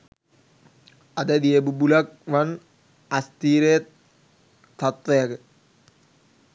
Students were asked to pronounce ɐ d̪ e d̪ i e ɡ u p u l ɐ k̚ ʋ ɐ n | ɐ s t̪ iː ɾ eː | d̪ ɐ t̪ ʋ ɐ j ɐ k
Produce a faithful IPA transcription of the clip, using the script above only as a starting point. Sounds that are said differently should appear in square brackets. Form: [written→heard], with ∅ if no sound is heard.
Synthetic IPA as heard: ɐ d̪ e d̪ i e [ɡ→b] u [p→b] u l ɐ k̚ ʋ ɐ n | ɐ s t̪ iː ɾ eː | [d̪→t̪] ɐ t̪ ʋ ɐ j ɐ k